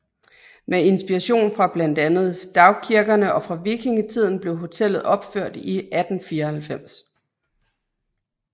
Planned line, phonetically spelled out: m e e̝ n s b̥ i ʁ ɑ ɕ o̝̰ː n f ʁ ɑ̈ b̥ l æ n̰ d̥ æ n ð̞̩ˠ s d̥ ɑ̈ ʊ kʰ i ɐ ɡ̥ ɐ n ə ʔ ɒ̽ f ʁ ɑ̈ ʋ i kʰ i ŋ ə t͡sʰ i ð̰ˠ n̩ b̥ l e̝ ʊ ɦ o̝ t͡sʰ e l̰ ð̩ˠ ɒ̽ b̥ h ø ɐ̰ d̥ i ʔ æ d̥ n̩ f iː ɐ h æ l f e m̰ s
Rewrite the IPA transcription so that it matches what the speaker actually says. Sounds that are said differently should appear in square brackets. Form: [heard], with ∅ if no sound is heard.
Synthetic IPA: m e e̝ n s b̥ i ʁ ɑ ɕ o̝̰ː n f ʁ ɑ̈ b̥ l æ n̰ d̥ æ n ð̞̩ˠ s d̥ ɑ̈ ʊ kʰ i ɐ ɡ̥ ɐ n ə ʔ ɒ̽ f ʁ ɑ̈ ʋ i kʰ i ŋ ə t͡sʰ i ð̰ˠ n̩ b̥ l e̝ ʊ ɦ o̝ t͡sʰ e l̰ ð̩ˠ ɒ̽ b̥ [f] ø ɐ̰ d̥ i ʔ æ d̥ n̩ f iː ɐ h æ l f e m̰ s